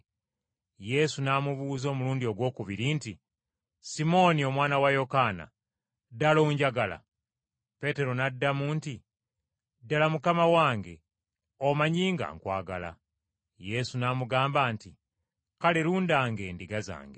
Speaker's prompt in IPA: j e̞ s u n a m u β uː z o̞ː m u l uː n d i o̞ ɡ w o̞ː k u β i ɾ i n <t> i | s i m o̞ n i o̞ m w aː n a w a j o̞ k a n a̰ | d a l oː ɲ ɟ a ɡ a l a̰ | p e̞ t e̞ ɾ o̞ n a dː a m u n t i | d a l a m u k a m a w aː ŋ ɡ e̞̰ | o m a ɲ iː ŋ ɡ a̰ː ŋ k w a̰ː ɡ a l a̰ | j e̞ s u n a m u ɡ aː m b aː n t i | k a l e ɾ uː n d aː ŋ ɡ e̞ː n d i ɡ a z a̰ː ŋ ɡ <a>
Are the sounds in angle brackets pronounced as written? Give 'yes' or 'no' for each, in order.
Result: yes, no

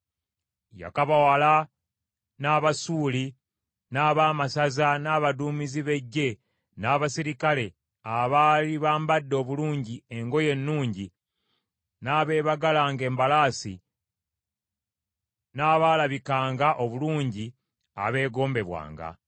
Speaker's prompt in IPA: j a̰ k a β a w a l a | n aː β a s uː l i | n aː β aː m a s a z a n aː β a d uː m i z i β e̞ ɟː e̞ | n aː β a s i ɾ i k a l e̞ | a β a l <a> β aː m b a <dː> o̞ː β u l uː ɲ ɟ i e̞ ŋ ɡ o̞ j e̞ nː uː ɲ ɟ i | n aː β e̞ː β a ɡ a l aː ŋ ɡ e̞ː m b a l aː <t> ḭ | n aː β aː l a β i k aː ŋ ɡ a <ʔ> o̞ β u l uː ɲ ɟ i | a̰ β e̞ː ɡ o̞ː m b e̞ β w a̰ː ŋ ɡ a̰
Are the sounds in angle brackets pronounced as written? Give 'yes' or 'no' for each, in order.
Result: no, yes, no, yes

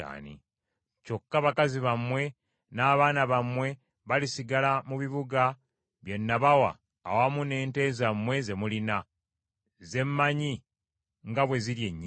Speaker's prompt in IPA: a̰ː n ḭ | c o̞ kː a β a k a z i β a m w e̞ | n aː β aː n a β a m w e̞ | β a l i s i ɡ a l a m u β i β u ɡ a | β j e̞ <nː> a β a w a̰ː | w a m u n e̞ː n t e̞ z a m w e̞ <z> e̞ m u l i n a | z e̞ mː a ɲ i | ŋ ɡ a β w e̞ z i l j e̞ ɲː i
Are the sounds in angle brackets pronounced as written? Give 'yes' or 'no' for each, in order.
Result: yes, yes

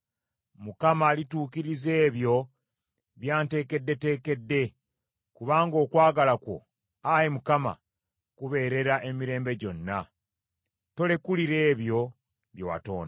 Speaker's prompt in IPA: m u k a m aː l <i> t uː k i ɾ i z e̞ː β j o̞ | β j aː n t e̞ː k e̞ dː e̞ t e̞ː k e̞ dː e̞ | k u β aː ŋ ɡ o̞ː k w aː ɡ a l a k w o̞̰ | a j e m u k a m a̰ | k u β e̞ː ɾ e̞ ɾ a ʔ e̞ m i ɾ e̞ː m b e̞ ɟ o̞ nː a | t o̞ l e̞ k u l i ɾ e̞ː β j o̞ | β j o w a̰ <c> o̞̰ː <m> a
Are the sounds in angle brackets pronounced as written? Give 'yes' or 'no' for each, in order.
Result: yes, no, no

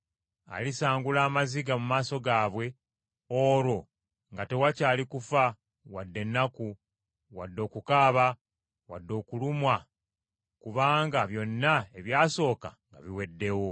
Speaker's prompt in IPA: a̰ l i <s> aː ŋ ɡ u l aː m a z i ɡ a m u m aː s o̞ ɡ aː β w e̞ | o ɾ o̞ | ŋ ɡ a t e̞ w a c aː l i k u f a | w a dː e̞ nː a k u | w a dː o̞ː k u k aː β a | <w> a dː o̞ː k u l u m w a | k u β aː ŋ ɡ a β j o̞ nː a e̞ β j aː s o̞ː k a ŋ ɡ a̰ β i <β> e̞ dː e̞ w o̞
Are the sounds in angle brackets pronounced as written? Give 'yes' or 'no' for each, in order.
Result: yes, yes, no

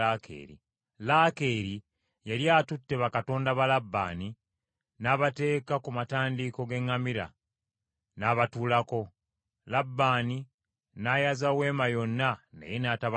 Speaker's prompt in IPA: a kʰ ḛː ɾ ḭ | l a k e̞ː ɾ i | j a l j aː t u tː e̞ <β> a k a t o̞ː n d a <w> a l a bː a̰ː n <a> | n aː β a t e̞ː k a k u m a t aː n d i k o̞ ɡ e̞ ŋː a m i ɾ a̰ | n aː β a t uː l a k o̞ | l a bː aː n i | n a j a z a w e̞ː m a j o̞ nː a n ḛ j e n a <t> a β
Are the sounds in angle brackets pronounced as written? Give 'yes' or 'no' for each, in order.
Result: yes, no, no, yes

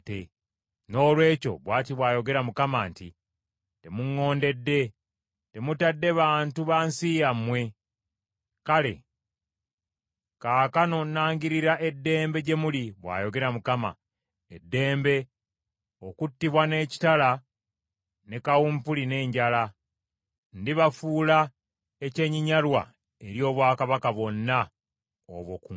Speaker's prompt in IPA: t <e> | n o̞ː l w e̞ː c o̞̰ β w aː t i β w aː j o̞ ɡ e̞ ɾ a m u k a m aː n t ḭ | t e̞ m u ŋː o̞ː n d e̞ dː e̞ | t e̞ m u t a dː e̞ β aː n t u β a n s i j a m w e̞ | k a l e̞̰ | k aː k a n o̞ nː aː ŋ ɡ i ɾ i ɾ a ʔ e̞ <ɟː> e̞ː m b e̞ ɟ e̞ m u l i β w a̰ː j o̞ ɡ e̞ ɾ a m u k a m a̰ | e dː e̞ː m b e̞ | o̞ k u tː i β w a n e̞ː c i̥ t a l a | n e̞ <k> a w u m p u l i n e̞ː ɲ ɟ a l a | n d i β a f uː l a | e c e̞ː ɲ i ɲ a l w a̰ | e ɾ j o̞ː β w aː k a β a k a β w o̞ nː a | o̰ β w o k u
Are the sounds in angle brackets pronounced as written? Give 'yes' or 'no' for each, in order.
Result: yes, no, yes

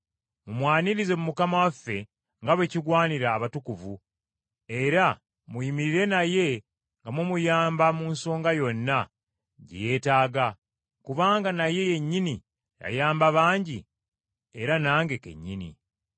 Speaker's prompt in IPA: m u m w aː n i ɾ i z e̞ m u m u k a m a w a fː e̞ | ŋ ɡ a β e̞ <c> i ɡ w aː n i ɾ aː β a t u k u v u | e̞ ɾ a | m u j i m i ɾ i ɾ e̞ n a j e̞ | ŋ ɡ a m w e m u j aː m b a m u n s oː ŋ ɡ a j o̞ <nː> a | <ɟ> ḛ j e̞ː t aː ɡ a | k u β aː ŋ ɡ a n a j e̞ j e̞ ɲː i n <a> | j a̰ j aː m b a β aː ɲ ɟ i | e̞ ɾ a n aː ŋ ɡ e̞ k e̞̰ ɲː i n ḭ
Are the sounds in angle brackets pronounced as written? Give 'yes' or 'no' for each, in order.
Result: yes, yes, yes, no

